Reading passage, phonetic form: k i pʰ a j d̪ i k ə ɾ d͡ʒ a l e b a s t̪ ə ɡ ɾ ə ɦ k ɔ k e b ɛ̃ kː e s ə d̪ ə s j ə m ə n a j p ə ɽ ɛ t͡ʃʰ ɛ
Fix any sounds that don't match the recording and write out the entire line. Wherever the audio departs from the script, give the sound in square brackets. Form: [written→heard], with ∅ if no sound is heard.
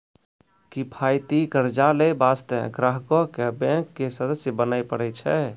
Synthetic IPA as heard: k i pʰ a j [d̪→t̪] i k ə ɾ d͡ʒ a l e b a s t̪ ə ɡ ɾ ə ɦ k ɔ k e b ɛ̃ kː e s ə d̪ ə s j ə [m→b] ə n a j p ə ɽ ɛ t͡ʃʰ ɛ